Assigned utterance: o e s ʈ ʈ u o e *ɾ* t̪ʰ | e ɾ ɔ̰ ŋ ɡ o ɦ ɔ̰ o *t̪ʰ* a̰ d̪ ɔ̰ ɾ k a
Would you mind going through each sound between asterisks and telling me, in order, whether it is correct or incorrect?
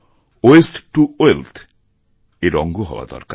incorrect, incorrect

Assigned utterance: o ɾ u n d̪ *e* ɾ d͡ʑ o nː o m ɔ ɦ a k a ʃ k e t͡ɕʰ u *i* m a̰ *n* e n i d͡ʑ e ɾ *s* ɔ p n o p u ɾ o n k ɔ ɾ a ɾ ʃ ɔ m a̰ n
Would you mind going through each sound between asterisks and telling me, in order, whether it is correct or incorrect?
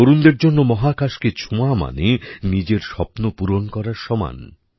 correct, incorrect, correct, incorrect

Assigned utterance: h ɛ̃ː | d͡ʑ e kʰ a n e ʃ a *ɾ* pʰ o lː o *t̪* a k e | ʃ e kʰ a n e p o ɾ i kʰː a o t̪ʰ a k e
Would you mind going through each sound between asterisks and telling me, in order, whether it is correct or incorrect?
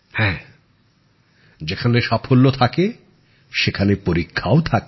incorrect, incorrect

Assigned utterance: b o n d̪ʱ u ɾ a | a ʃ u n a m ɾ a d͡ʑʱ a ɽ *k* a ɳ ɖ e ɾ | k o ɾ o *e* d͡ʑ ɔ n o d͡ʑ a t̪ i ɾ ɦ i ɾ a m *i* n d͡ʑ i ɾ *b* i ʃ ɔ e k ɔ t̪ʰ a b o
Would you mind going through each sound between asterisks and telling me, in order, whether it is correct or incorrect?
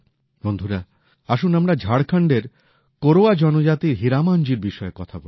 incorrect, incorrect, incorrect, correct

